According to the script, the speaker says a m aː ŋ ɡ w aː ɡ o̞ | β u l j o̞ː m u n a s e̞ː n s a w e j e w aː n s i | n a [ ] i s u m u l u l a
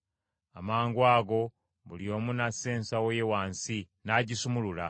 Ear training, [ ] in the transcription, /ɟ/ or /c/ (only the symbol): ɟ